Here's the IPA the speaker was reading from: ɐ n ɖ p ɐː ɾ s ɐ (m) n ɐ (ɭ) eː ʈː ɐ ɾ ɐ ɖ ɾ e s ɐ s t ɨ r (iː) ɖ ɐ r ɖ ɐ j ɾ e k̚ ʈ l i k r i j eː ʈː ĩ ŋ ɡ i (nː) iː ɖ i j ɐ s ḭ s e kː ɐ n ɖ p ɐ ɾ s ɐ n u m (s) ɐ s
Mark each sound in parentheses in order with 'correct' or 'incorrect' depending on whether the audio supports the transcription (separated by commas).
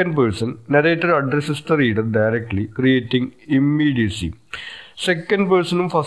incorrect, incorrect, correct, incorrect, incorrect